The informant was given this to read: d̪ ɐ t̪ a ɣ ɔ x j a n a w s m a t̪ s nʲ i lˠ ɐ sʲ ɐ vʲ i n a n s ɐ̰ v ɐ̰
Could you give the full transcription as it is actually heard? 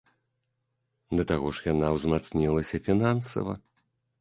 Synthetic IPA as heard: d̪ ɐ t̪ a ɣ ɔ ʂ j a n a w z m a t̪ s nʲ i lˠ ɐ sʲ ɐ fʲ i n a n s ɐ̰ v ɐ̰